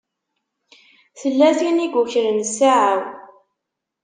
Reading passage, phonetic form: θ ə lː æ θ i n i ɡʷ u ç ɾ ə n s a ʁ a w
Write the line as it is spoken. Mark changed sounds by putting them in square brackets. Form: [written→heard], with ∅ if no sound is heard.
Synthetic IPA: θ ə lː æ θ i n i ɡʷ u ç ɾ ə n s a [ʁ→ʕ] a w